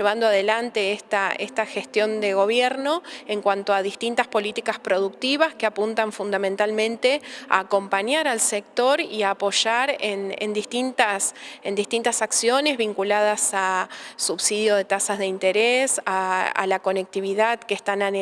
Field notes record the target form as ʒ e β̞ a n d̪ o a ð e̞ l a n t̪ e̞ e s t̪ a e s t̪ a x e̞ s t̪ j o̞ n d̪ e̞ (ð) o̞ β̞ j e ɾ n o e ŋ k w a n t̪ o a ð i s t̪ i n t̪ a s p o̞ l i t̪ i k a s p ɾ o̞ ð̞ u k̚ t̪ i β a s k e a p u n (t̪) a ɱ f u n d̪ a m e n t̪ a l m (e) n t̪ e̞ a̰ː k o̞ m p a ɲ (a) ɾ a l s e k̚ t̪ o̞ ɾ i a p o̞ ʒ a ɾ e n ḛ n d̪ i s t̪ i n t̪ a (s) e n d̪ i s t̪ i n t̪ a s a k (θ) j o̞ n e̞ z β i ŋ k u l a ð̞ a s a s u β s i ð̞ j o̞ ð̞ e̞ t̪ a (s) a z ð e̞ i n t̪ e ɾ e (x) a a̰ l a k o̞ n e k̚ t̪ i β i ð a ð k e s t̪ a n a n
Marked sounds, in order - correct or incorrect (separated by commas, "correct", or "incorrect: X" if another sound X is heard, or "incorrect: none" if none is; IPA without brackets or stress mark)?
incorrect: ɣ, correct, incorrect: ẽ, correct, correct, incorrect: s, correct, incorrect: s